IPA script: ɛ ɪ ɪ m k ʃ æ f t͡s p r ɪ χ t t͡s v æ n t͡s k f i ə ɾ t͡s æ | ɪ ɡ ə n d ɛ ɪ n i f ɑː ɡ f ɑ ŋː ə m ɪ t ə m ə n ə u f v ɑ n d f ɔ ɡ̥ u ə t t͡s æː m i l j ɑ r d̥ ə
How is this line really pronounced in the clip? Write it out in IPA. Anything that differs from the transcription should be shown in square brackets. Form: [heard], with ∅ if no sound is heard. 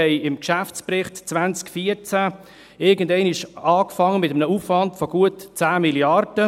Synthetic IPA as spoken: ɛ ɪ ɪ m k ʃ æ f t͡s p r ɪ χ t t͡s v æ n t͡s k f i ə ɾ t͡s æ | ɪ ɡ ə n d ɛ ɪ n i [ʃ] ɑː [k] f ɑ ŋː ə m ɪ t ə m ə n ə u f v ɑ n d f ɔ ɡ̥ u ə t t͡s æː m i l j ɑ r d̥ ə